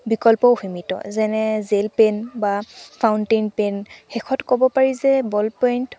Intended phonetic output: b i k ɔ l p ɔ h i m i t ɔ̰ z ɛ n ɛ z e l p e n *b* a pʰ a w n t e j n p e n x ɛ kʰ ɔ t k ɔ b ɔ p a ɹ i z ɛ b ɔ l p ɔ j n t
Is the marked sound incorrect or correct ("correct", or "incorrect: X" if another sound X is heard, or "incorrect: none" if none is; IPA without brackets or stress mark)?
correct